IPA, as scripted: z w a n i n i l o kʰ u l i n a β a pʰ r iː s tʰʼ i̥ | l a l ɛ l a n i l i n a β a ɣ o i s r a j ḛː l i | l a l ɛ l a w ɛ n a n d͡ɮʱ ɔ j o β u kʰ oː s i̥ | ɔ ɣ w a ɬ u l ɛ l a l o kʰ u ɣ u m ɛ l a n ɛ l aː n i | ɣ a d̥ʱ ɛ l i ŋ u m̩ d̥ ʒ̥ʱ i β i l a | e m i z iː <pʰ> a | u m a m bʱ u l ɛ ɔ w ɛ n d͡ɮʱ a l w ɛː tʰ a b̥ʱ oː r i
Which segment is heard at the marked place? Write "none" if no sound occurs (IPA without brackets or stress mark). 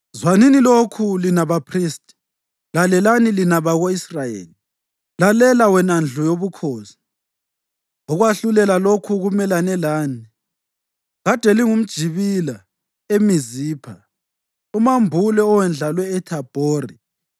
pʰ